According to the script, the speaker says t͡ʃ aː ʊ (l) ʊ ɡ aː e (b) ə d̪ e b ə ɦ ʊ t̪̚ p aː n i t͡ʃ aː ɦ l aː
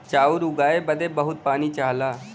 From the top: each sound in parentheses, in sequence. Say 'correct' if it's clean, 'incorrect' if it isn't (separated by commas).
incorrect, correct